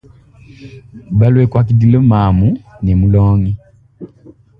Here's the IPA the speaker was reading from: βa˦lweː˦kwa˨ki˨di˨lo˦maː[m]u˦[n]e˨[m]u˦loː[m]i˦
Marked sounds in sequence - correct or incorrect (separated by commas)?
correct, correct, correct, incorrect